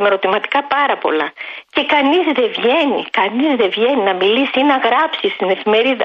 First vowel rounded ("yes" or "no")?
no